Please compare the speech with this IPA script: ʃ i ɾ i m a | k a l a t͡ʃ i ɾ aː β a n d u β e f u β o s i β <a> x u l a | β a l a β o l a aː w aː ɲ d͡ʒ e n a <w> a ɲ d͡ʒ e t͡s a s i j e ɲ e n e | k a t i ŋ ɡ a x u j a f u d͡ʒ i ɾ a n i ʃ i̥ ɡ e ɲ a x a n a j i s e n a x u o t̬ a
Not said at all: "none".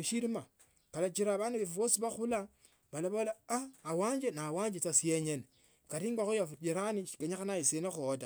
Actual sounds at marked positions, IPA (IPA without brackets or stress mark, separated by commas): a, w